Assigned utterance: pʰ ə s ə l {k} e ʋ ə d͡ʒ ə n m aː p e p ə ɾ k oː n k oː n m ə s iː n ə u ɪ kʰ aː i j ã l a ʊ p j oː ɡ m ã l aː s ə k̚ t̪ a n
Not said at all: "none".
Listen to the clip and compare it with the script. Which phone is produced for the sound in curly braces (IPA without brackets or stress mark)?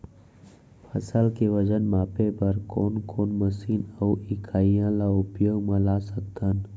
k